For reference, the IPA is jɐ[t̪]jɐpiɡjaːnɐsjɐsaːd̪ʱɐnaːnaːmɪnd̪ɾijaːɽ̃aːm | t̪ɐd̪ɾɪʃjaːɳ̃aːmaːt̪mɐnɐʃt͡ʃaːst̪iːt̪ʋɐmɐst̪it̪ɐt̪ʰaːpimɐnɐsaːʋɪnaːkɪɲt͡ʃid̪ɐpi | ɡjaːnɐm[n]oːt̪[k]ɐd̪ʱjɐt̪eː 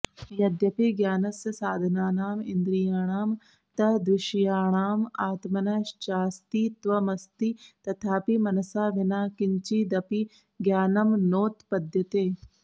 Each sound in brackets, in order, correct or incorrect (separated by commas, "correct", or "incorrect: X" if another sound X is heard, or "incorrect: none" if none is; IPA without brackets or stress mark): incorrect: d̪, correct, incorrect: p